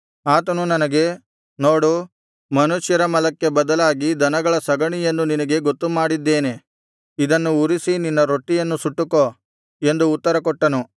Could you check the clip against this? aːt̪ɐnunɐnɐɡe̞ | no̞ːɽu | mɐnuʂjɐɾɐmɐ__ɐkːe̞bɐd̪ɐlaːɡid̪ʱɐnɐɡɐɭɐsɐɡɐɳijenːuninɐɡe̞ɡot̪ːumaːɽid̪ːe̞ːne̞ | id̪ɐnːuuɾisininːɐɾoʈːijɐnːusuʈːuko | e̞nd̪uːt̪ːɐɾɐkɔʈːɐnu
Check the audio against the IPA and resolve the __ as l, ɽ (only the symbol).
l